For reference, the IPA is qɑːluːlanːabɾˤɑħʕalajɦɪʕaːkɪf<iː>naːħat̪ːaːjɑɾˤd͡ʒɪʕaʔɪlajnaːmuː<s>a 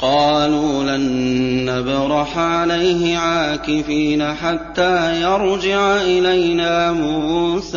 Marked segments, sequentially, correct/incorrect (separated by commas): correct, correct